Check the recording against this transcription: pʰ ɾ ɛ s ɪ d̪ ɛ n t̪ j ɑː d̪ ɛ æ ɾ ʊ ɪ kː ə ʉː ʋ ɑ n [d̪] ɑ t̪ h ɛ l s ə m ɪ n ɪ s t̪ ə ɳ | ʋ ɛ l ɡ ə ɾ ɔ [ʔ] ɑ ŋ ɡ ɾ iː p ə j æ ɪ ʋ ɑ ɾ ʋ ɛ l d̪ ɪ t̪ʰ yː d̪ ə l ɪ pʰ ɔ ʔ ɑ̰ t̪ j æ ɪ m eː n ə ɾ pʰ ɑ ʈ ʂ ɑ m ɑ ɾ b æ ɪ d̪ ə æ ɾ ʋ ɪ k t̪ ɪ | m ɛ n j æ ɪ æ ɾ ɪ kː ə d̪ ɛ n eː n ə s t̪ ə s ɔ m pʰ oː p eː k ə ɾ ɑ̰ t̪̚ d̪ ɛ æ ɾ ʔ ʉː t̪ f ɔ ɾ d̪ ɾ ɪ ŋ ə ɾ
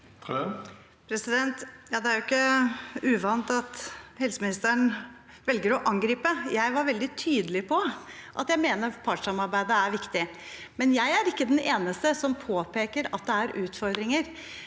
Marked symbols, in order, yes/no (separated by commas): no, yes